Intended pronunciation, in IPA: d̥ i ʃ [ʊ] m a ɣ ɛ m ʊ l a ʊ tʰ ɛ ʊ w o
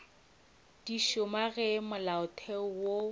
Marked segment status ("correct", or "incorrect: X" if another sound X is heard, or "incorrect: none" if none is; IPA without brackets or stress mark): correct